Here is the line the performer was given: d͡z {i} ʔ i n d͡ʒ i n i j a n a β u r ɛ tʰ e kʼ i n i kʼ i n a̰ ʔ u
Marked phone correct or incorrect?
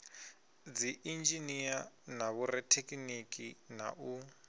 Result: correct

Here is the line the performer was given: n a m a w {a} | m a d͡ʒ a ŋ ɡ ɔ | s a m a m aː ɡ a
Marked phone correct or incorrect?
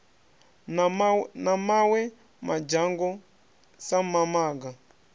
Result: incorrect: ɛ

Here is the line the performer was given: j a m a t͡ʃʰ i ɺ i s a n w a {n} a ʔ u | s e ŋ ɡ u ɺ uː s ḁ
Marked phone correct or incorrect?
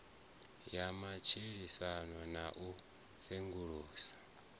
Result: correct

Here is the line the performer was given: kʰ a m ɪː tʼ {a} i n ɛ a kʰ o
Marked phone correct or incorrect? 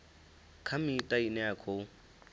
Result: correct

